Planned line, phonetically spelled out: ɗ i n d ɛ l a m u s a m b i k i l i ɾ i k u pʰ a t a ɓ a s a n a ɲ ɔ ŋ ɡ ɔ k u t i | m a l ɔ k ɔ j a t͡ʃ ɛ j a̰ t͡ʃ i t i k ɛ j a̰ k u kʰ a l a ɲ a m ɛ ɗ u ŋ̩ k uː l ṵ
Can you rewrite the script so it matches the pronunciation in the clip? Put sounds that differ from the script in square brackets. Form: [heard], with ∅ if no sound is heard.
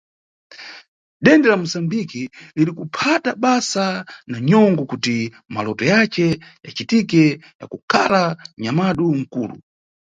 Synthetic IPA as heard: ɗ [ɛ] n d ɛ l a m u s a m b i k i l i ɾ i k u pʰ a t a ɓ a s a n a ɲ ɔ ŋ ɡ ɔ k u t i | m a l ɔ [t] ɔ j a t͡ʃ ɛ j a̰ t͡ʃ i t i k ɛ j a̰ k u kʰ a l a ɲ a m [a] ɗ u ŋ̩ k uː l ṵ